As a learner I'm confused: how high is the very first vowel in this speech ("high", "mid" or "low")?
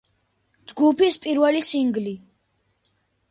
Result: high